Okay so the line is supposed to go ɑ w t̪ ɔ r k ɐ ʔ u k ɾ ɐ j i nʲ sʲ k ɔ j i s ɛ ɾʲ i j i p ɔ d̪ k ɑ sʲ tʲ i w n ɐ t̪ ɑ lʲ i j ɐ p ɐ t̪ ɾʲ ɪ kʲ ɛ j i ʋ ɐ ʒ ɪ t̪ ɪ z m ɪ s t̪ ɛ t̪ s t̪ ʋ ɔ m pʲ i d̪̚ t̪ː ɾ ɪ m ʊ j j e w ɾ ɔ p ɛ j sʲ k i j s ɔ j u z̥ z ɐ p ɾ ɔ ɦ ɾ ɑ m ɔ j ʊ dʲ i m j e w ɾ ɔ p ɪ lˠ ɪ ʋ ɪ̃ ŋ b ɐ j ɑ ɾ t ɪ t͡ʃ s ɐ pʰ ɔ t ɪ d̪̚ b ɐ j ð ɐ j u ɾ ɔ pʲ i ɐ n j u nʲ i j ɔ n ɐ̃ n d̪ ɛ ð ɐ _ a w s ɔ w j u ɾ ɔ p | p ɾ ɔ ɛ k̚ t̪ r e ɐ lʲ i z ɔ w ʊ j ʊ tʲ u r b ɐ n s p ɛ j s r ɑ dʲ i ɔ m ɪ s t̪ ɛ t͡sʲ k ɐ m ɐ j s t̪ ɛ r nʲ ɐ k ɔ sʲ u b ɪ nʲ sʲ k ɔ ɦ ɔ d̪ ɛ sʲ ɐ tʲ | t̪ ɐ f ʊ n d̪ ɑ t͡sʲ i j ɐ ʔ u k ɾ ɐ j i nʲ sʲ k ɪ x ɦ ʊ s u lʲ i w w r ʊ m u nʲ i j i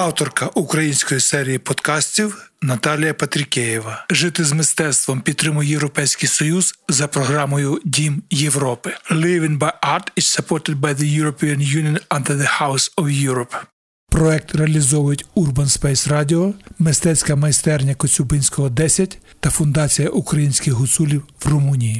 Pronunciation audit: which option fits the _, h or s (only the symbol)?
h